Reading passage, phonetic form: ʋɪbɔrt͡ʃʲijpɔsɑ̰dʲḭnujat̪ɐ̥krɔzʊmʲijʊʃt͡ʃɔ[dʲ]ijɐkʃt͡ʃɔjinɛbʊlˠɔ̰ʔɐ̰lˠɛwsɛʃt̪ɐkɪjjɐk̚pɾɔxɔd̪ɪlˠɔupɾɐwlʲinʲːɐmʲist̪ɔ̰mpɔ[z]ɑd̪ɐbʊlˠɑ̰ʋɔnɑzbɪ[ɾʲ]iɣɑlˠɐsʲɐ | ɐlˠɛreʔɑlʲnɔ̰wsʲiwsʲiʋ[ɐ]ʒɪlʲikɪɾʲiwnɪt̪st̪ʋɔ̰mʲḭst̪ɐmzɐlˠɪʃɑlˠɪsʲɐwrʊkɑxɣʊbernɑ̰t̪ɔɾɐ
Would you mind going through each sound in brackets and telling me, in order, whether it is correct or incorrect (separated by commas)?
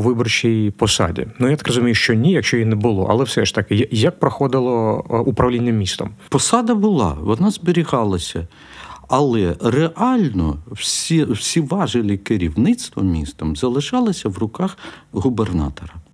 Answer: incorrect, incorrect, correct, incorrect